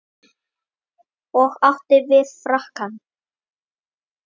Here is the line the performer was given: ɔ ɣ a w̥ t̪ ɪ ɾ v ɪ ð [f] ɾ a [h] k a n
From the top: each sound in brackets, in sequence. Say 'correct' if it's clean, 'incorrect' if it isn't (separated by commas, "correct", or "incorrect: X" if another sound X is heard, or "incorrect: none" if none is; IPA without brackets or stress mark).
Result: correct, correct